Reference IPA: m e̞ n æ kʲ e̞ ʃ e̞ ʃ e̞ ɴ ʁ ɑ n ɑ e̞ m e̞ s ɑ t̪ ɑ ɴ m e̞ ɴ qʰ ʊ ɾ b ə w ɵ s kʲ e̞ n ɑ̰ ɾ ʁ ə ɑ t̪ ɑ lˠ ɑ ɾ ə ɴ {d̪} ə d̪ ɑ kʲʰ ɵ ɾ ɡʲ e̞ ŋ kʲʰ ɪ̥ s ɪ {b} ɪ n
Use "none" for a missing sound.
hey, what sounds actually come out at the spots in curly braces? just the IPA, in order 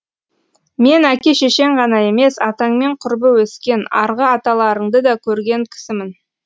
d̪, m

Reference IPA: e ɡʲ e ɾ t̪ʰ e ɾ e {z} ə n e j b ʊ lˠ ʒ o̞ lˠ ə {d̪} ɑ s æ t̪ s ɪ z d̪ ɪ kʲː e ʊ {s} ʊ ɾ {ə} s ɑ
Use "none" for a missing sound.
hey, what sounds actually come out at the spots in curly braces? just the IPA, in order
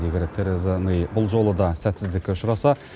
z, d̪, ʃ, ɑ

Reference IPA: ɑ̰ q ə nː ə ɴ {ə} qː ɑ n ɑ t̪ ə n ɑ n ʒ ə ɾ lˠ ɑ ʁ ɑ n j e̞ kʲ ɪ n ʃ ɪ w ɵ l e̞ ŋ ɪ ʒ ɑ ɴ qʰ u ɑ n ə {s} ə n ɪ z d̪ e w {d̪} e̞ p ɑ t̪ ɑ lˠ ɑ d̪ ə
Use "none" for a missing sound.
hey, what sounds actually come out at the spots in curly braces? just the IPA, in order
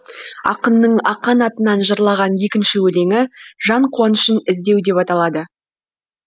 ɑ, ʃ, d̪

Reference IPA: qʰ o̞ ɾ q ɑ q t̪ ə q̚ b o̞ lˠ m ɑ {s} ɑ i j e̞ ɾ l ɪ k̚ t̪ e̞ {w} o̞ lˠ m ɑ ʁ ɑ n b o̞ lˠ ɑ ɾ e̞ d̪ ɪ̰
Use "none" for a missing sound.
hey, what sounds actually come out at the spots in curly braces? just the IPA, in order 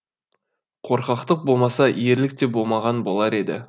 s, b

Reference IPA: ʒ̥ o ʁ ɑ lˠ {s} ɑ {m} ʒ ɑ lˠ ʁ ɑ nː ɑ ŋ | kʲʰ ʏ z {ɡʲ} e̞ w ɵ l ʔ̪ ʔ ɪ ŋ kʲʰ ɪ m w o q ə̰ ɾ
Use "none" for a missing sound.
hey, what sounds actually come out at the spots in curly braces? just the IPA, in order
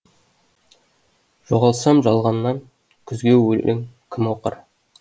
s, m, ɡʲ

